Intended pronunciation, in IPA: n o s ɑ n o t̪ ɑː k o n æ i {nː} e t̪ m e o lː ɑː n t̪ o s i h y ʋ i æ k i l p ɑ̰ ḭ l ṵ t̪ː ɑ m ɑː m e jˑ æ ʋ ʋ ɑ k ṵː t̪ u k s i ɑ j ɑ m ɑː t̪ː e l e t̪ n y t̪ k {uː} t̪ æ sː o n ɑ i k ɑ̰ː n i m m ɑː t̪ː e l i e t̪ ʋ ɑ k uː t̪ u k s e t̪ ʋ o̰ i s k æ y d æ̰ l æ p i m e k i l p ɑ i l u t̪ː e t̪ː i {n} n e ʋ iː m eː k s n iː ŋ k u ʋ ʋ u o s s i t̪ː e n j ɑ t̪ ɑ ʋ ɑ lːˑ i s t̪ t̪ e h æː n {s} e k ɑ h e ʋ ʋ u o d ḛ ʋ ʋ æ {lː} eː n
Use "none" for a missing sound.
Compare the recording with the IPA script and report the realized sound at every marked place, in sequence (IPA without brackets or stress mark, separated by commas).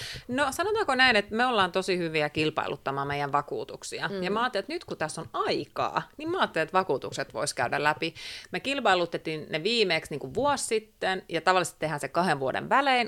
n, u, n, s, l